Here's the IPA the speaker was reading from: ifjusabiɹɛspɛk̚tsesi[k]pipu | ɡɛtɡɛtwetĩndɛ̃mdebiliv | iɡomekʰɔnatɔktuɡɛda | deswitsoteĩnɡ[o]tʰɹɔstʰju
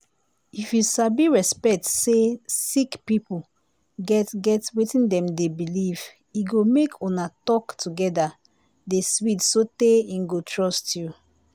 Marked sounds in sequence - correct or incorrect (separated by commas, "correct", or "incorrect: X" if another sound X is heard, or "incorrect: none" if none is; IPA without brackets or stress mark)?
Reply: correct, correct